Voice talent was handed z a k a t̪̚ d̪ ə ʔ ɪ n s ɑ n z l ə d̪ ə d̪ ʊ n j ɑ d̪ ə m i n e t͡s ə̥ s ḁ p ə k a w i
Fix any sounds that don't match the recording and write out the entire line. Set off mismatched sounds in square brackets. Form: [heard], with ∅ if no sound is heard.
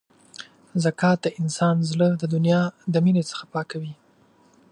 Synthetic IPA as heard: z a k [ɑ] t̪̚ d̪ ə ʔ ɪ n s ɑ n z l ə d̪ ə d̪ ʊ n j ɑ d̪ ə m i n e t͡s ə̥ [x] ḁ p [ɑ] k a w i